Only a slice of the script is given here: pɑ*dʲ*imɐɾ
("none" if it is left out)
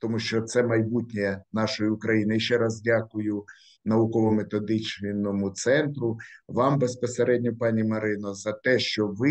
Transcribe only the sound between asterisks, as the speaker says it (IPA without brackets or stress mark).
nʲ